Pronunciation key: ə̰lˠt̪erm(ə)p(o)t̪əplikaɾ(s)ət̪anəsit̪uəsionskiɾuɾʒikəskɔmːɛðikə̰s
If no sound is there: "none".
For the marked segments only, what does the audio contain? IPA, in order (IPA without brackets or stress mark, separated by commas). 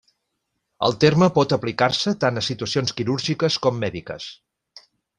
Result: ə, ɔ, s